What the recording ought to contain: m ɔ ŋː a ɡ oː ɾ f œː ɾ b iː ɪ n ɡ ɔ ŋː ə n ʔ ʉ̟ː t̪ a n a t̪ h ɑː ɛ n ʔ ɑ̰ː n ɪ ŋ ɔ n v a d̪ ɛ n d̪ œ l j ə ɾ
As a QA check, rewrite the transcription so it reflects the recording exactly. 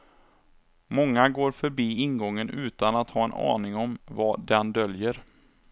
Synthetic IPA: m ɔ ŋː a ɡ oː ɾ f œ ɾ b iː ɪ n ɡ ɔ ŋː ə n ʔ ʉ̟ː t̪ a n a t̪ h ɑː ɛ n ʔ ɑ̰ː n ɪ ŋ ɔ m v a d̪ ɛ n d̪ œ l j ə ɾ